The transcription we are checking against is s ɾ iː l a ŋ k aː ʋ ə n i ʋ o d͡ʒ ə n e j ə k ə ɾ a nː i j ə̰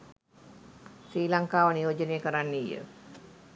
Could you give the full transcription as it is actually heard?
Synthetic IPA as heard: s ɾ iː l a ŋ k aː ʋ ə n i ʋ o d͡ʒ ə n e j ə k ə ɾ a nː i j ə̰